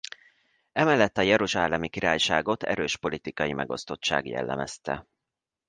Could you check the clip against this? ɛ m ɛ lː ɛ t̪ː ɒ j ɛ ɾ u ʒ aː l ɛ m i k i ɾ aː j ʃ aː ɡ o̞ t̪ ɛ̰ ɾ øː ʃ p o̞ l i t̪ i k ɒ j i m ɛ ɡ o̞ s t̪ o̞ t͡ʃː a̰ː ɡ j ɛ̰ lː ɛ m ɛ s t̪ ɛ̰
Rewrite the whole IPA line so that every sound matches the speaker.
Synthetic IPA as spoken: ɛ m ɛ lː ɛ t̪ː ɒ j ɛ ɾ u ʒ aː l ɛ m i k i ɾ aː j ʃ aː ɡ o̞ t̪ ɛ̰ ɾ øː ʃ p o̞ l i t̪ i k ɒ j i m ɛ ɡ o̞ s t̪ o̞ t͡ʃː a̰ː ɡ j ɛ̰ lː ɛ m ɛ s t̪ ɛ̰